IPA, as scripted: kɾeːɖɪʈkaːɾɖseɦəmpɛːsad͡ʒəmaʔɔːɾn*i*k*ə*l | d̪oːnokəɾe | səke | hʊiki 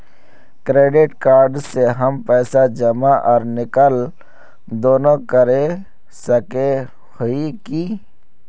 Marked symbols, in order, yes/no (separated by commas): no, yes